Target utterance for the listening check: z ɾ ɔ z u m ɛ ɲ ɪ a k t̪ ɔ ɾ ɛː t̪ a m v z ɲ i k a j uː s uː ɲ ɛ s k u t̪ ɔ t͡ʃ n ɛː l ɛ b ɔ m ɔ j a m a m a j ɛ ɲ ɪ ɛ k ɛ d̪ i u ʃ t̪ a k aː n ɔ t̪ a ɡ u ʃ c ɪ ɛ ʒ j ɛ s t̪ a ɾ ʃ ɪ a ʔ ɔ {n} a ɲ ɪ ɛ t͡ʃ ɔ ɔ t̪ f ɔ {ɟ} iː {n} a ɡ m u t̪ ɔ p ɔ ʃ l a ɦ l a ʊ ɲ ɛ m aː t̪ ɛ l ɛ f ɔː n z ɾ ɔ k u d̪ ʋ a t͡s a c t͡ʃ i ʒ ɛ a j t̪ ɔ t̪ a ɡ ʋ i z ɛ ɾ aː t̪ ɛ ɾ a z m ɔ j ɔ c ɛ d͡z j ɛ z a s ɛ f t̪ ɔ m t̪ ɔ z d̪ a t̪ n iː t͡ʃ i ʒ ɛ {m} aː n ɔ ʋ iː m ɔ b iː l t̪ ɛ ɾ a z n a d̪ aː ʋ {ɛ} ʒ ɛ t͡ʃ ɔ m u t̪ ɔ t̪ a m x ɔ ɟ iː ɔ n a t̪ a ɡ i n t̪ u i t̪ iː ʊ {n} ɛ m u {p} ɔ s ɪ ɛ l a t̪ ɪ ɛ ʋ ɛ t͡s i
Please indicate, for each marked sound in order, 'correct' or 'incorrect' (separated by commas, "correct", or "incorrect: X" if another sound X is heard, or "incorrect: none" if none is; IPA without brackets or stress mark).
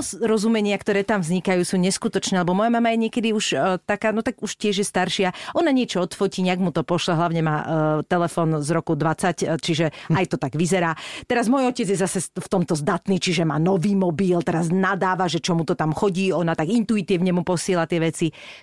correct, incorrect: c, incorrect: ɲ, correct, incorrect: a, incorrect: ɲ, correct